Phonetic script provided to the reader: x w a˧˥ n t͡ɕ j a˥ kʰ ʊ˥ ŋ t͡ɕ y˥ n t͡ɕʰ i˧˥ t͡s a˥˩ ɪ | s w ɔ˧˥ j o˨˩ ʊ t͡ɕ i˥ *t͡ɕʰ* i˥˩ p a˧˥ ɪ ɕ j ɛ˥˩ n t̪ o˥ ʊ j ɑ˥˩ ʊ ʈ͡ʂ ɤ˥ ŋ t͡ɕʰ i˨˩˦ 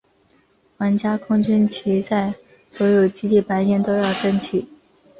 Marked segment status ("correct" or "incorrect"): incorrect